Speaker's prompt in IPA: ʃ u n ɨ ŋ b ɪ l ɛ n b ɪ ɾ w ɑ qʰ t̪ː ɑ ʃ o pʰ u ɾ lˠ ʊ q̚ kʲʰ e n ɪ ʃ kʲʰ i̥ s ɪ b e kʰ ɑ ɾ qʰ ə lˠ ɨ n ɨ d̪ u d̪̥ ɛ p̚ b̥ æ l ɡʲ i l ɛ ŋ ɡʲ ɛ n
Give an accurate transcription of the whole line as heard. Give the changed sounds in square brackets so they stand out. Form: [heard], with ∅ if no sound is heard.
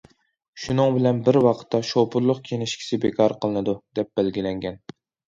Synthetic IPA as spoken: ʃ u n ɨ ŋ b ɪ l ɛ n b ɪ ɾ w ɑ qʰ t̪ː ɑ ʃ o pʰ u ɾ lˠ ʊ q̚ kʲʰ e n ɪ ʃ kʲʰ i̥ s ɪ b e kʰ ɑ ɾ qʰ ə lˠ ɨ n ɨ d̪ u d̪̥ ɛ p̚ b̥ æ l ɡʲ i l ɛ ŋ ɡʲ ɛ n